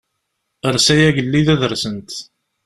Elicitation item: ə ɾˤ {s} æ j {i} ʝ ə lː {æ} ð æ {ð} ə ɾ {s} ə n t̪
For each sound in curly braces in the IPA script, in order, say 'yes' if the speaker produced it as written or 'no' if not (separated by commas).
yes, no, no, yes, yes